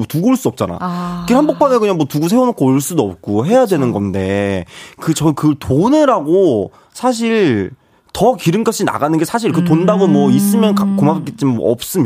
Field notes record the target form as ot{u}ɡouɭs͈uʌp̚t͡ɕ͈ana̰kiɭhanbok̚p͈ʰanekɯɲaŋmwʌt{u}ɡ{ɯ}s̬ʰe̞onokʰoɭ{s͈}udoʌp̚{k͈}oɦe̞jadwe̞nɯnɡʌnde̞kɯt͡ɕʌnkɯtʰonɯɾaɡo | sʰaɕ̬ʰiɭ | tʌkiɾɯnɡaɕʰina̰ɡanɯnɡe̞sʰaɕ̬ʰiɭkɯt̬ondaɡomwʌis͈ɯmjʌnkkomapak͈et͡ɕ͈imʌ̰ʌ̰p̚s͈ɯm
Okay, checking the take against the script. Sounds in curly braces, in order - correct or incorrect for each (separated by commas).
correct, correct, incorrect, correct, correct